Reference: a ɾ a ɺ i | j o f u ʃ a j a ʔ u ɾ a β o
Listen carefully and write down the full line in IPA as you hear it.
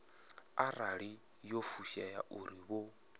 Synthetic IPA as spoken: a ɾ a ɺ i | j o f u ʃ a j a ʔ u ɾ i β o

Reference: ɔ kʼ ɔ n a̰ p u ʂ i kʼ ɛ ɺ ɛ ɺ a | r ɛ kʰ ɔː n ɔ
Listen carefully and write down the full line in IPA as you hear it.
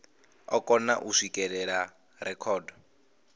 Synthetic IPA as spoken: ɔ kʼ ɔ n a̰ ʔ u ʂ i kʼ ɛ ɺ ɛ ɺ a | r ɛ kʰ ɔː d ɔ

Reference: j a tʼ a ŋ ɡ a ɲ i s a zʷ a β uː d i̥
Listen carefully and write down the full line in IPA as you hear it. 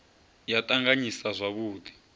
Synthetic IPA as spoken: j a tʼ a ŋ ɡ a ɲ i s a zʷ a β uː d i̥

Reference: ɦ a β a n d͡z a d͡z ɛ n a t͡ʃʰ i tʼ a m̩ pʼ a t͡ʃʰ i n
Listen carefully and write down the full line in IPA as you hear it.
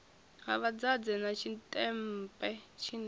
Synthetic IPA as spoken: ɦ a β a d͡z a d͡z ɛ n a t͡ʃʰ i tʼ ɛ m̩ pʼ ɛ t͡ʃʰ i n

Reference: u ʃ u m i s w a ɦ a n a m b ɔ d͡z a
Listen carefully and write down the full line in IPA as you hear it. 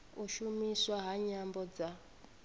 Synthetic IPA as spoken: u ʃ u m i s w a ɦ a ɲ a m b ɔ d͡z a

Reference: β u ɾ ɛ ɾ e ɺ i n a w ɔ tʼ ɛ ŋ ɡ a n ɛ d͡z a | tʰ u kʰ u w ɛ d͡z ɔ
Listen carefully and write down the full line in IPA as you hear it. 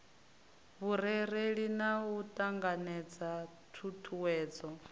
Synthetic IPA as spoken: β u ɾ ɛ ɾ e ɺ i n a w u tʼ a ŋ ɡ a n ɛ d͡z a | tʰ u tʰ u w ɛː d͡z ɔ

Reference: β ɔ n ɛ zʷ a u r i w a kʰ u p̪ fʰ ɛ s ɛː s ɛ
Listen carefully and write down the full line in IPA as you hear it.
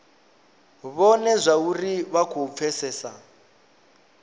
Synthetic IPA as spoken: β ɔ n ɛ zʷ a u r i β a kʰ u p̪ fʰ ɛ s ɛː s a

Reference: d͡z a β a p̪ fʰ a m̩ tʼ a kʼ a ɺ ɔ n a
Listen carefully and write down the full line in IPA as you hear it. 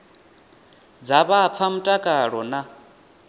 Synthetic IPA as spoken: d͡z a β a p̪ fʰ a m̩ tʼ a kʼ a ɺ ɔ n a

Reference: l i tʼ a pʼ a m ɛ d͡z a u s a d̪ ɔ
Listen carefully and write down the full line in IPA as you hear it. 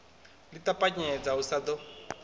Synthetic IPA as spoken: l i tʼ a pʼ a ɲ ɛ d͡z a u s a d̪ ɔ

